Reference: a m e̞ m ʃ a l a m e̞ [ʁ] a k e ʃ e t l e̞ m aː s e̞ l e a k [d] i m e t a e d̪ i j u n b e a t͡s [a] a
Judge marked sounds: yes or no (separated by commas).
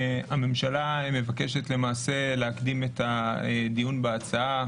no, yes, yes